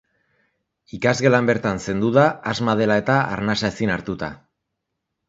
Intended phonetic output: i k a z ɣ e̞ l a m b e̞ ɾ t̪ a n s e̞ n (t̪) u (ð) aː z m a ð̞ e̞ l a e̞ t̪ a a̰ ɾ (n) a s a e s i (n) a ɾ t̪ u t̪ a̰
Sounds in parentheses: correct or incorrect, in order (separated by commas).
incorrect, correct, correct, correct